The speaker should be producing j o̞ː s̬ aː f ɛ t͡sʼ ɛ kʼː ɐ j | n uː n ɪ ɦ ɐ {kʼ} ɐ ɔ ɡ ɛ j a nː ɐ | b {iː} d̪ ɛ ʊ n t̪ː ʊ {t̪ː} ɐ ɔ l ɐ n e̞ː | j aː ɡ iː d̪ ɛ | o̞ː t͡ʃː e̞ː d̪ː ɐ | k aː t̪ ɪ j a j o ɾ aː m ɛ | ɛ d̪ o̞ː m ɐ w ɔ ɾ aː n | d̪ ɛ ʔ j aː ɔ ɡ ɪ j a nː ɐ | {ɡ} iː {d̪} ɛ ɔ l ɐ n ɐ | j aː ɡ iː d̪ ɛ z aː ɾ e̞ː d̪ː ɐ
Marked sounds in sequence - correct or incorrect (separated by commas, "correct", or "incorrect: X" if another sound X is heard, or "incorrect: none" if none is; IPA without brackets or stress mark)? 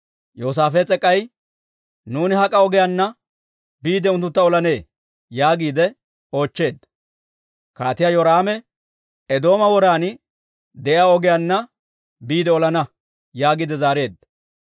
correct, correct, correct, incorrect: b, correct